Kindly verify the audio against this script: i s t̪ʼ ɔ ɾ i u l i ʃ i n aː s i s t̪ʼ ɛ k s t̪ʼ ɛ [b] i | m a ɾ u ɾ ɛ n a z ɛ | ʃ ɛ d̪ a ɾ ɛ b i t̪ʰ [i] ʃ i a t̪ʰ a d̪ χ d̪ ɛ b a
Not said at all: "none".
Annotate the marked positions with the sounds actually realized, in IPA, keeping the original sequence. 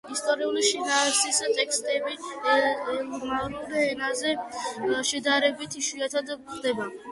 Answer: b, i

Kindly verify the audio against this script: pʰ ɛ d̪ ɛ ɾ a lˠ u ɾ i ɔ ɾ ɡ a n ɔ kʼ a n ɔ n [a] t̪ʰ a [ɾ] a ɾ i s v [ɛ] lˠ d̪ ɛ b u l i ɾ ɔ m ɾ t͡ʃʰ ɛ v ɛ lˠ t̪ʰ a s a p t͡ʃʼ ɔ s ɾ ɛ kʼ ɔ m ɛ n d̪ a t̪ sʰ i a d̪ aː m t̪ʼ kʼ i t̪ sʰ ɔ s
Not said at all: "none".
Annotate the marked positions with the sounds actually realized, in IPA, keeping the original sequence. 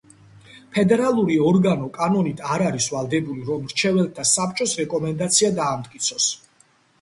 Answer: i, ɾ, a

